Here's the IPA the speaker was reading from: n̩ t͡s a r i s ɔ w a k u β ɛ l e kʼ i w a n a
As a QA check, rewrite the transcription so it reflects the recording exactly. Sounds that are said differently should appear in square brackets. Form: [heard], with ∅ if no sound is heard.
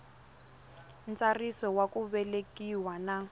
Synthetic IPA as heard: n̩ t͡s a r i s ɔ w a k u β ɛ l e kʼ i w a n a